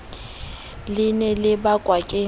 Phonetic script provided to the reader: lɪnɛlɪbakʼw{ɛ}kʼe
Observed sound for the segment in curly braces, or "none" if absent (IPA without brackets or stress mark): a